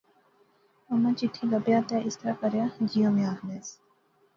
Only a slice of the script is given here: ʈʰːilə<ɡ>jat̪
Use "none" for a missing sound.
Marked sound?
b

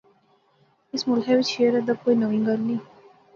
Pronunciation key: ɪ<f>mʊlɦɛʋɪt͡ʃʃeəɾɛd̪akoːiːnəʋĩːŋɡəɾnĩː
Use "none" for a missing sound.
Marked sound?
s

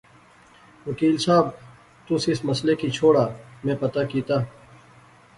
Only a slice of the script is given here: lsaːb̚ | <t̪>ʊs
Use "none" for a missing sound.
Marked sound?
t̪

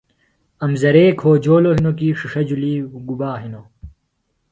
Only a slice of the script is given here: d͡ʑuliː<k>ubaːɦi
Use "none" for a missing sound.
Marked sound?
ɡ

